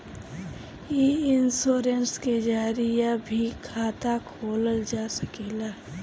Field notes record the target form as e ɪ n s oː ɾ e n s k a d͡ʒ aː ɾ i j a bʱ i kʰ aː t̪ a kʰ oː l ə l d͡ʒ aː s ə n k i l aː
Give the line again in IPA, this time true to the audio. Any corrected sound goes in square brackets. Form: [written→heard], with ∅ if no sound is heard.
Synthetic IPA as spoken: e ɪ n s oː ɾ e n s k [a→e] d͡ʒ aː ɾ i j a bʱ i kʰ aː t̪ a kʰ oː l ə l d͡ʒ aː s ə [n→∅] k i l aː